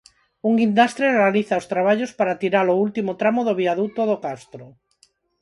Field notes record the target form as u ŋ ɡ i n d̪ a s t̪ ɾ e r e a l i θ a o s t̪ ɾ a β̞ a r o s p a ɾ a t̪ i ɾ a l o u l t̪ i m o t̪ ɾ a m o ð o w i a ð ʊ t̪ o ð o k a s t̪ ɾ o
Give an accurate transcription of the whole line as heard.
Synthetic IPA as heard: u ŋ ɡ i n d̪ a s t̪ ɾ e r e a l i θ a o s t̪ ɾ a β̞ a ʎ o s p a ɾ a t̪ i ɾ a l o u l t̪ i m o t̪ ɾ a m o ð o β i a ð u t̪ o ð o k a s t̪ ɾ o

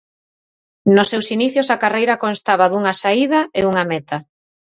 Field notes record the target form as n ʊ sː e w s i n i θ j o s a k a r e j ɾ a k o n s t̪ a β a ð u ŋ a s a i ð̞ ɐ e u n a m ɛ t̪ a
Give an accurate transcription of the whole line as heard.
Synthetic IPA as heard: n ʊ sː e w s i n i θ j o s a k a r e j ɾ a k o n s t̪ a β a ð u ŋ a s a i ð̞ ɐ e u ŋ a m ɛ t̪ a

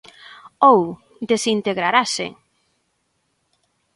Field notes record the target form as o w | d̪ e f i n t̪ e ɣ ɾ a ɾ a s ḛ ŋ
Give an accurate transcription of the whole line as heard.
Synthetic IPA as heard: o w | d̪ e s i n t̪ e ɣ ɾ a ɾ a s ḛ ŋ

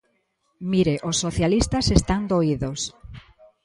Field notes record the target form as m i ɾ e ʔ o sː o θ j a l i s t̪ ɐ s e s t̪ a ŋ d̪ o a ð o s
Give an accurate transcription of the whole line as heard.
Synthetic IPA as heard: m i ɾ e ʔ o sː o θ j a l i s t̪ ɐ s e s t̪ a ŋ d̪ o i ð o s

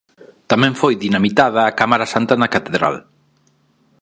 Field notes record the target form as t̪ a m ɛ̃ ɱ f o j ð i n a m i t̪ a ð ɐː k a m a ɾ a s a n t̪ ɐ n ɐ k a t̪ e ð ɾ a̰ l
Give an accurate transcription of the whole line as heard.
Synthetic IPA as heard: t̪ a m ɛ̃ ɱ f o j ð i n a m i t̪ a ð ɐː k a m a ɾ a s a n t̪ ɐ n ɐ k a t̪ e ð ɾ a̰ l

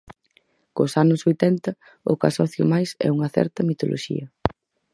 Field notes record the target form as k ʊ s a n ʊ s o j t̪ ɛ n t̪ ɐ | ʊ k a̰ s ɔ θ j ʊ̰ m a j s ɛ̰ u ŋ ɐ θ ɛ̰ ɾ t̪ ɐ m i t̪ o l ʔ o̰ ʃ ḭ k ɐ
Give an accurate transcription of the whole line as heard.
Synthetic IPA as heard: k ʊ s a n ʊ s o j t̪ ɛ n t̪ ɐ | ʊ k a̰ s ɔ θ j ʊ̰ m a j s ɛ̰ u ŋ ɐ θ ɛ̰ ɾ t̪ ɐ m i t̪ o l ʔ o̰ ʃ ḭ ɐ

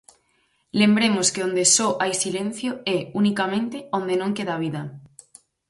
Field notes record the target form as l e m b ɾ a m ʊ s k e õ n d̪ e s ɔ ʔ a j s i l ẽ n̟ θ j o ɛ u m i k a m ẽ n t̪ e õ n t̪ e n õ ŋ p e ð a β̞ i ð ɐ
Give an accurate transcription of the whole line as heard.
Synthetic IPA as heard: l e m b ɾ e m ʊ s k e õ n d̪ e s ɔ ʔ a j s i l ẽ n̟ θ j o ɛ u n i k a m ẽ n t̪ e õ n d̪ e n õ ŋ k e ð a β̞ i ð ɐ

